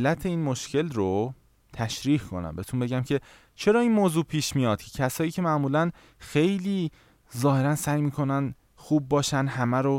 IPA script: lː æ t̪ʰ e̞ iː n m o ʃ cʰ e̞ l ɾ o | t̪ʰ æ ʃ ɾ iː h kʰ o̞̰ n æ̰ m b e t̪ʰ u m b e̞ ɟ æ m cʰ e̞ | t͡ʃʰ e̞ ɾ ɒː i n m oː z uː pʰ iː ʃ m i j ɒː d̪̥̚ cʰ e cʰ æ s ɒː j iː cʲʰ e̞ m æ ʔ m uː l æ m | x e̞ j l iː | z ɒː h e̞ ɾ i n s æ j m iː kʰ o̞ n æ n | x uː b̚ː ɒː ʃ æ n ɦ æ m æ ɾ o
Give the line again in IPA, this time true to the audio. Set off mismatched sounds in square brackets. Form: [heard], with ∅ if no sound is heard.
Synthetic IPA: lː æ t̪ʰ e̞ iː n m o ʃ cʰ e̞ l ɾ o | t̪ʰ æ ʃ ɾ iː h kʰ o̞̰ n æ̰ m b e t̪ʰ u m b e̞ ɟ æ m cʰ e̞ | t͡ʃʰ e̞ ɾ ɒː i n m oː z uː pʰ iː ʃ m i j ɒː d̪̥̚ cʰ e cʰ æ s ɒː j iː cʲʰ e̞ m æ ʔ m uː l æ [n] | x e̞ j l iː | z ɒː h e̞ ɾ [æ] n s æ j m iː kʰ o̞ n æ n | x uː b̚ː ɒː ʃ æ n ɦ æ m æ ɾ o